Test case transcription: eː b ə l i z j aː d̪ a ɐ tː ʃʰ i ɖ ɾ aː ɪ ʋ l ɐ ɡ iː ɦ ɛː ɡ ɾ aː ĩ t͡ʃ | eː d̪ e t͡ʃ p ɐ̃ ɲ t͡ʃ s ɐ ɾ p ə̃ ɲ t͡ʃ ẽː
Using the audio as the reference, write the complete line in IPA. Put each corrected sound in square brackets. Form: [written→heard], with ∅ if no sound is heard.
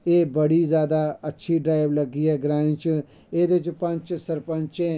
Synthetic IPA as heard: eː b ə [l→ɽ] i z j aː d̪ a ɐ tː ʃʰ i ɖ ɾ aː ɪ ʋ l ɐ ɡ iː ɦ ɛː ɡ ɾ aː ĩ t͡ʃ | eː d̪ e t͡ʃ p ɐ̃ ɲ t͡ʃ s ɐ ɾ p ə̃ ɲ t͡ʃ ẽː